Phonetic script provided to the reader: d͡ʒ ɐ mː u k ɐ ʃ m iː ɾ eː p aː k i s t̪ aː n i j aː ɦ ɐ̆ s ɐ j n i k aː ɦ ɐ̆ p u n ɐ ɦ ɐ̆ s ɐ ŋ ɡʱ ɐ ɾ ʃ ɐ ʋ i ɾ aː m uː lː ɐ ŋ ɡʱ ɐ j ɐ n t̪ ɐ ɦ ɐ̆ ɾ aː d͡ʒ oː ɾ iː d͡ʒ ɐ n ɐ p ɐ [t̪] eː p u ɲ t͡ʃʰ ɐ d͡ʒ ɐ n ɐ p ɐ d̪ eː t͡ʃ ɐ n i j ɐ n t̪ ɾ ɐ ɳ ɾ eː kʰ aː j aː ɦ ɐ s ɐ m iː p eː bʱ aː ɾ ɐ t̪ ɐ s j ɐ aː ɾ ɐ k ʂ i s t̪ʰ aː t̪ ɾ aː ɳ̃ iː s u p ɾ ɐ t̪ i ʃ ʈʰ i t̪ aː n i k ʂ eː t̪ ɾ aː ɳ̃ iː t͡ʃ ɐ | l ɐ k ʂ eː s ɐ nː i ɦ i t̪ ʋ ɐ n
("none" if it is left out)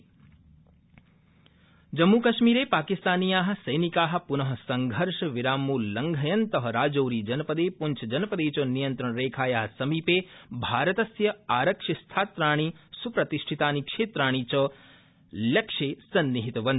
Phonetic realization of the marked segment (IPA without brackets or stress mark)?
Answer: d̪